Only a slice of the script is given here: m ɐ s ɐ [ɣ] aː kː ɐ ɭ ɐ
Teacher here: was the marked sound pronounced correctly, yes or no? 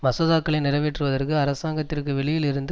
no